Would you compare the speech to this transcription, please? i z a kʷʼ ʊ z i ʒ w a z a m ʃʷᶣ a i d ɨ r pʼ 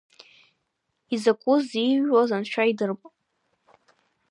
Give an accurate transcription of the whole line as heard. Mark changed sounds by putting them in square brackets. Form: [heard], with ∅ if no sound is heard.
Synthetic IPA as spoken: i z a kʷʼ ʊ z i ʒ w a z a [n] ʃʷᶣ a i d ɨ r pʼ